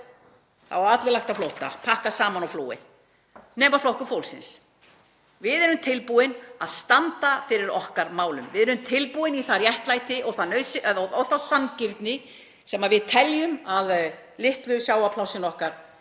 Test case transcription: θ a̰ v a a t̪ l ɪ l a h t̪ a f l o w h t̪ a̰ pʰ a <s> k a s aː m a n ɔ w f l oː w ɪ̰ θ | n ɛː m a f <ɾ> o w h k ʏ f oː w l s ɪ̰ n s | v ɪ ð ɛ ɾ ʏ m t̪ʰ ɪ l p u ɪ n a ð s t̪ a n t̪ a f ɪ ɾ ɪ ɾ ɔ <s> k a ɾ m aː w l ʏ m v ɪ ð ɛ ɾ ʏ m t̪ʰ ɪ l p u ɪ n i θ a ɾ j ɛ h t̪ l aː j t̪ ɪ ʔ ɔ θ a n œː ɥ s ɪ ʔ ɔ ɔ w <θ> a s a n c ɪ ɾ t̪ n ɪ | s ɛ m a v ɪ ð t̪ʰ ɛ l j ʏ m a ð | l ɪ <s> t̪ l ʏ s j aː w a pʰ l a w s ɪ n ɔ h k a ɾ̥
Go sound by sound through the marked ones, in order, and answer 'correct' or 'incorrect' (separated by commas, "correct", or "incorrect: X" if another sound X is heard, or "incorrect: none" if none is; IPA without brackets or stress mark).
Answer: incorrect: h, incorrect: l, incorrect: h, correct, incorrect: h